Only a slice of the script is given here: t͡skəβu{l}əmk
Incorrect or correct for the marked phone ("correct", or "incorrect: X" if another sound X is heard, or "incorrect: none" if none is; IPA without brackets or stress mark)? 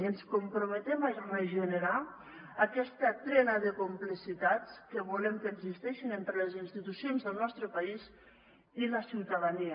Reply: correct